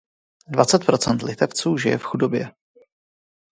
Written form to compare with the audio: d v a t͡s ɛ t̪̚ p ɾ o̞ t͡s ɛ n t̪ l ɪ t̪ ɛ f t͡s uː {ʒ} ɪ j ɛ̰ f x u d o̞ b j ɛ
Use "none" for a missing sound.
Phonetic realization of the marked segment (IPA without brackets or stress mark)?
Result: ʒ